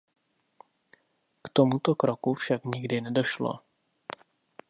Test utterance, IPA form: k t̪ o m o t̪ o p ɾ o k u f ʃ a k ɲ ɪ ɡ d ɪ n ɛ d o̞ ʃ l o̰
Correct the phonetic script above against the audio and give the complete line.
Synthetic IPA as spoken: k t̪ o m u t̪ o k ɾ o k u f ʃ a k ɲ ɪ ɡ d ɪ n ɛ d o̞ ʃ l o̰